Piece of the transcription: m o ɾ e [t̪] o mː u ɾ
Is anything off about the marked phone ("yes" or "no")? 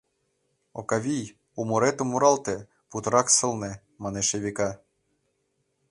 no